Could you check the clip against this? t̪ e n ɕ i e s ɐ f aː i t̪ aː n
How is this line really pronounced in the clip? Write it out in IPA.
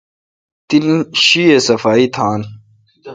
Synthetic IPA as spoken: t̪ i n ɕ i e s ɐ f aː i t̪ʰ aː n